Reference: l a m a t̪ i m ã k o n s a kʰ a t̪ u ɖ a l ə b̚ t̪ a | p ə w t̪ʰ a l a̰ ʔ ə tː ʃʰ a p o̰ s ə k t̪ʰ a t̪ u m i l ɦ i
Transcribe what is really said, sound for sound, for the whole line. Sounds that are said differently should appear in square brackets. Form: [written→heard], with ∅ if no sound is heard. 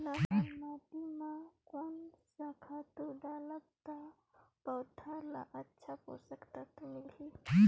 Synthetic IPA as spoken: l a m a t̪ i m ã k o n s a kʰ a t̪ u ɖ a l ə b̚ t̪ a | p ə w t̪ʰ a l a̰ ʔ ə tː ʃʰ a p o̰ s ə k [t̪ʰ→t̪] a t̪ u m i l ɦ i